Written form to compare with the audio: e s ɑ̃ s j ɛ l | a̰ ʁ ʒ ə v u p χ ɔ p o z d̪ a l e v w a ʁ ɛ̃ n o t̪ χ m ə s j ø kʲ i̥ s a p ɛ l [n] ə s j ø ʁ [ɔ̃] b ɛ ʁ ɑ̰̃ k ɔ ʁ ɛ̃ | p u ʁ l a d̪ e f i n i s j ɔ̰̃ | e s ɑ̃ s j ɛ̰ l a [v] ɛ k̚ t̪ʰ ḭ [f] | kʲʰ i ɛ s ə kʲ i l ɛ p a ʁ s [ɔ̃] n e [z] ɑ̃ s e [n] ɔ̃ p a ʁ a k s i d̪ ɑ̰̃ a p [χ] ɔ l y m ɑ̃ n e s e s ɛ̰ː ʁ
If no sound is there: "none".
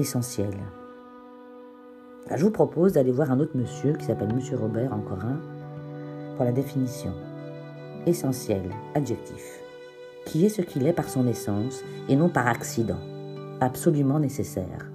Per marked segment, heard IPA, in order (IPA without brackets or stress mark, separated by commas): m, ɔ, ʒ, f, ɔ̃, s, n, s